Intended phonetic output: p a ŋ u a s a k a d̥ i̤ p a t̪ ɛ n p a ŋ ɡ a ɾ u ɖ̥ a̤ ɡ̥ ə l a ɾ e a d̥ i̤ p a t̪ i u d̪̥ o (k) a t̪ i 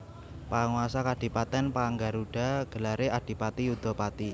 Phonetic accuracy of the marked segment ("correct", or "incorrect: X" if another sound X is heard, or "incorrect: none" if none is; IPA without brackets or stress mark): incorrect: p